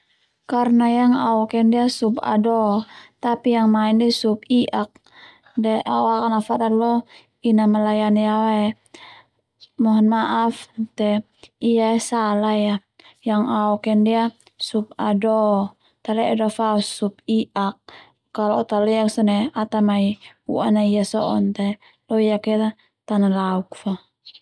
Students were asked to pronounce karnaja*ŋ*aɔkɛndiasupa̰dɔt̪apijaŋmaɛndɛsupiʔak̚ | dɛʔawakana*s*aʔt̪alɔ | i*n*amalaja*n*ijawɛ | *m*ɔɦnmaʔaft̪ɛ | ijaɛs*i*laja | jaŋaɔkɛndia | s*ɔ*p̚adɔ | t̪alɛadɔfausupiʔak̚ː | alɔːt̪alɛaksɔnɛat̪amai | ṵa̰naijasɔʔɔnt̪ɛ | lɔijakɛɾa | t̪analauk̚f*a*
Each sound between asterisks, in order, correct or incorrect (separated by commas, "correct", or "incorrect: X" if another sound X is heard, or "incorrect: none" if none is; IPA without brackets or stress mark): correct, incorrect: f, correct, correct, correct, incorrect: a, incorrect: u, correct